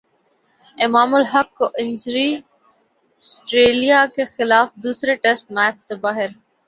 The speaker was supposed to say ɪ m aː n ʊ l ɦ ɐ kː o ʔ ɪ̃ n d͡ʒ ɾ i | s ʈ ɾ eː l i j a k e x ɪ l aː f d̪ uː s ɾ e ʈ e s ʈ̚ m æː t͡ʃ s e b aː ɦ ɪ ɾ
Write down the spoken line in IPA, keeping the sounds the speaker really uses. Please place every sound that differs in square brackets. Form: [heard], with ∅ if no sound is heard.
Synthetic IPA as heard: ɪ m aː [m] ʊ l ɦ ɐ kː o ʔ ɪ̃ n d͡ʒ ɾ i | s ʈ ɾ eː l i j a k e x ɪ l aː f d̪ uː s ɾ e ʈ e s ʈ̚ m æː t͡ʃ s e b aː ɦ ɪ ɾ

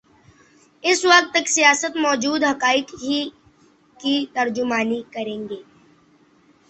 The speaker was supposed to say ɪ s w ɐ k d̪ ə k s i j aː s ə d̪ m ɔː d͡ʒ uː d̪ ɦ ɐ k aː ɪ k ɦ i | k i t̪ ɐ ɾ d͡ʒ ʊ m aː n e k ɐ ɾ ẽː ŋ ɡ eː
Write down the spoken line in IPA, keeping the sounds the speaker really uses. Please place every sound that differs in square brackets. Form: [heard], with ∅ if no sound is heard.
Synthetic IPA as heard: ɪ s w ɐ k [t̪] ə k s i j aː s ə [t̪] m ɔː d͡ʒ uː d̪ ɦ ɐ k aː ɪ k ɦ i | k i t̪ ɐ ɾ d͡ʒ ʊ m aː n [i] k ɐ ɾ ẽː ŋ ɡ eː

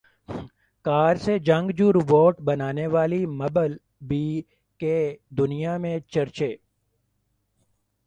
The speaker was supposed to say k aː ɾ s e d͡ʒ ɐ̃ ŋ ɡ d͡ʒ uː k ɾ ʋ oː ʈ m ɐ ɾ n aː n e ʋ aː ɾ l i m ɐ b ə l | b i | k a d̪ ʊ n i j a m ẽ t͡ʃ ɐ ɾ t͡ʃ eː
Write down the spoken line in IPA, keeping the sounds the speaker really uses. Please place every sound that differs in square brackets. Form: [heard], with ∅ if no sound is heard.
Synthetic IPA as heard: k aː ɾ s e d͡ʒ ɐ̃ ŋ ɡ d͡ʒ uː [∅] ɾ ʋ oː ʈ [b] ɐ [∅] n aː n e ʋ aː [∅] l i m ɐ b ə l | b i | k [e] d̪ ʊ n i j a m ẽ t͡ʃ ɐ ɾ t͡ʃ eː

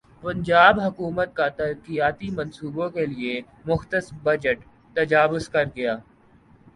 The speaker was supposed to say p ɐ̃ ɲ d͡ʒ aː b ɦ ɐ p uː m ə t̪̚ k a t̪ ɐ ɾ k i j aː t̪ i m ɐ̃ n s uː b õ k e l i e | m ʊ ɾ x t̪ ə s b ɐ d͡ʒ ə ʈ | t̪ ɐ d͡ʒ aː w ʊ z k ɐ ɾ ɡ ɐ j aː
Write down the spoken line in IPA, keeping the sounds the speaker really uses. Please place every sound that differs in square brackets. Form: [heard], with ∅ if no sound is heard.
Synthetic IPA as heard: p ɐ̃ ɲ d͡ʒ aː b ɦ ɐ [k] uː m ə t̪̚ k a t̪ ɐ ɾ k i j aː t̪ i m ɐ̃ n s uː b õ k e l i e | m ʊ [∅] x t̪ ə s b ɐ d͡ʒ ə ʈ | t̪ ɐ d͡ʒ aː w ʊ z k ɐ ɾ ɡ ɐ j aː

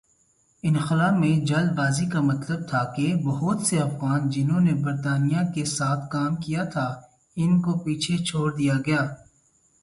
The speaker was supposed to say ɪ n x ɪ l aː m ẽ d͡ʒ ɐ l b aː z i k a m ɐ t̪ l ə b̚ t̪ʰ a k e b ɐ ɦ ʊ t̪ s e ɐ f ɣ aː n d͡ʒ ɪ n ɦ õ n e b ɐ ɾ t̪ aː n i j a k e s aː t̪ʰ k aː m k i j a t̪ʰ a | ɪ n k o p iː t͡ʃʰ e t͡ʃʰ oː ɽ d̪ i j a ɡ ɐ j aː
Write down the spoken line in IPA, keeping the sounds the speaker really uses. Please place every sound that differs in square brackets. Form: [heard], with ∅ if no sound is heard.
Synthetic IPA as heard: ɪ n x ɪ l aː m ẽ d͡ʒ ɐ l b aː z i k a m ɐ t̪ l ə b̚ t̪ʰ a k e b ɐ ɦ ʊ t̪ s e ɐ f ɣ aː n d͡ʒ ɪ n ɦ õ n e b ɐ ɾ t̪ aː n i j a k e s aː t̪ʰ k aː m k i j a t̪ʰ a | ɪ n k o p iː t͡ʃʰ e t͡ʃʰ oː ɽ d̪ i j a ɡ ɐ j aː

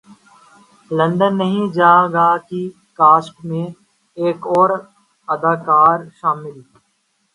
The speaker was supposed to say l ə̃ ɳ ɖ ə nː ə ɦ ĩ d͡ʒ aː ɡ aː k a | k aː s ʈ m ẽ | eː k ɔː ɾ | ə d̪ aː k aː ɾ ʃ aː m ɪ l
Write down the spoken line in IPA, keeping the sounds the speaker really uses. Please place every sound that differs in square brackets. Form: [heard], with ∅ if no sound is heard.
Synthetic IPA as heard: l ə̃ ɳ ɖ ə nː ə ɦ ĩ d͡ʒ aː ɡ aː k [i] | k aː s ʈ m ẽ | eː k ɔː ɾ | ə d̪ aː k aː ɾ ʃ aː m ɪ l

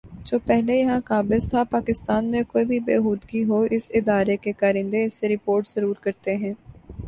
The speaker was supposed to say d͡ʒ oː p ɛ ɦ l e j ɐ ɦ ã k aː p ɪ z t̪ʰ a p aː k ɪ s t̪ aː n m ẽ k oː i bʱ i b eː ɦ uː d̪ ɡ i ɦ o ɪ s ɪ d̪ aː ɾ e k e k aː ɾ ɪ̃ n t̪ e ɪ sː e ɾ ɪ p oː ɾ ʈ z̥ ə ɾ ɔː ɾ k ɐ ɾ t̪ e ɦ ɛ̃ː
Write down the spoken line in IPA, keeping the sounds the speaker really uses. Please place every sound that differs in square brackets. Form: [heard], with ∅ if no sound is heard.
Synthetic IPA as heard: d͡ʒ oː p ɛ ɦ l e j ɐ ɦ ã k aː [b] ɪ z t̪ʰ a p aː k ɪ s t̪ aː n m ẽ k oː i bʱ i b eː ɦ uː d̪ ɡ i ɦ o ɪ s ɪ d̪ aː ɾ e k e k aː ɾ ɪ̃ n [d̪] e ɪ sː e ɾ ɪ p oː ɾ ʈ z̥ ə ɾ [uː] ɾ k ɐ ɾ t̪ e ɦ ɛ̃ː

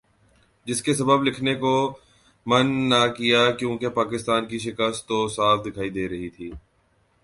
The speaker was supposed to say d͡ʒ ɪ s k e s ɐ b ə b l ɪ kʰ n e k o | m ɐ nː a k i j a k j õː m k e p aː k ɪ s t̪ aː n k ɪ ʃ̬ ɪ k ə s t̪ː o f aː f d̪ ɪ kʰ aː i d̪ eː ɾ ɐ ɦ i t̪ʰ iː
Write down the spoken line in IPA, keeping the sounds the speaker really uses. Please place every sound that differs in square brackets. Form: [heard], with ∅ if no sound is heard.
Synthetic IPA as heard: d͡ʒ ɪ s k e s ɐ b ə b l ɪ kʰ n e k o | m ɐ nː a k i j a k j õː [∅] k e p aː k ɪ s t̪ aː n k [i] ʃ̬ ɪ k ə s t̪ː o [s] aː f d̪ ɪ kʰ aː i d̪ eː ɾ ɐ ɦ i t̪ʰ iː

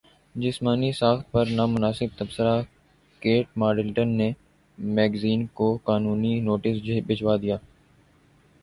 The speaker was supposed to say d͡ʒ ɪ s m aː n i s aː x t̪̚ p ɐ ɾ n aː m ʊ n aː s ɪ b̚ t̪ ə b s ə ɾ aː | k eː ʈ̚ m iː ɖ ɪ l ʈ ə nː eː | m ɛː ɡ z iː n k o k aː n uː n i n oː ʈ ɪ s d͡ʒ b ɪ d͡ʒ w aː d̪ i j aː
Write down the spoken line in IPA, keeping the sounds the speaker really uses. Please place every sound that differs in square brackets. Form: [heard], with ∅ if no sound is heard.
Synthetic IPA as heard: d͡ʒ ɪ s m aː n i s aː x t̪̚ p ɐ ɾ n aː m ʊ n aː s ɪ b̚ t̪ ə b s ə ɾ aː | k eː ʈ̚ m [aː] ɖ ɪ l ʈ ə nː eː | m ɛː ɡ z iː n k o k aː n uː n i n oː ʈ ɪ s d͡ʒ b ɪ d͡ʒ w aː d̪ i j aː

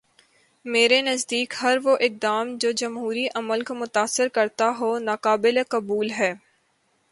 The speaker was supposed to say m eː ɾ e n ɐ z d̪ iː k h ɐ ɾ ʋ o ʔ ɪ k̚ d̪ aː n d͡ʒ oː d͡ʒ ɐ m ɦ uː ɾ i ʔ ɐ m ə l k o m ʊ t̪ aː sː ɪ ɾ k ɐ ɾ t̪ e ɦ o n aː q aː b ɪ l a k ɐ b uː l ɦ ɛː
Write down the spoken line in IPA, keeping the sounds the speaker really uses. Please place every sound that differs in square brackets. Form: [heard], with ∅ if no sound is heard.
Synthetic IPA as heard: m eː ɾ e n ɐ z d̪ iː k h ɐ ɾ ʋ o ʔ ɪ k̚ d̪ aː [m] d͡ʒ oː d͡ʒ ɐ m ɦ uː ɾ i ʔ ɐ m ə l k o m ʊ t̪ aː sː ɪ ɾ k ɐ ɾ t̪ [a] ɦ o n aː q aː b ɪ l [e] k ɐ b uː l ɦ ɛː

